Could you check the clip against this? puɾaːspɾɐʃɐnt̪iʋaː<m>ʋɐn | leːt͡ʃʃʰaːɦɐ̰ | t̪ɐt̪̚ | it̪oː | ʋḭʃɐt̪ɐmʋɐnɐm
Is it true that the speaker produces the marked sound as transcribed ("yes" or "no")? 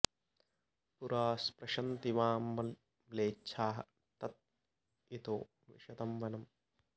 yes